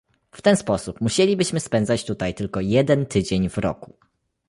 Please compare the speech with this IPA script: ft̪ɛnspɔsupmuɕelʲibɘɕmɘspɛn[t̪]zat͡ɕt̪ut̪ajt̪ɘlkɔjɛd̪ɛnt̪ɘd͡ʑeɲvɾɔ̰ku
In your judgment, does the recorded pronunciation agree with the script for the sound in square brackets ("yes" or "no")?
no